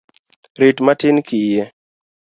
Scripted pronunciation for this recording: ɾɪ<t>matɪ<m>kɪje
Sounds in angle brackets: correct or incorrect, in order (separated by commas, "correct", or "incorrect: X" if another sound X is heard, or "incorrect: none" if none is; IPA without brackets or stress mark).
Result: correct, incorrect: n